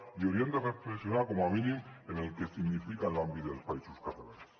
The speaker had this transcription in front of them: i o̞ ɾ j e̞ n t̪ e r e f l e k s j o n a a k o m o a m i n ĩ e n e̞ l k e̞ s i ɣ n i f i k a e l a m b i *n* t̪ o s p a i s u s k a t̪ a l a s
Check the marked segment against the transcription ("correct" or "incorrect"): incorrect